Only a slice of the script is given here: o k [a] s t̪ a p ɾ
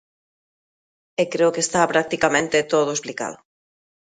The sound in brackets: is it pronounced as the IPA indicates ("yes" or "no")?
no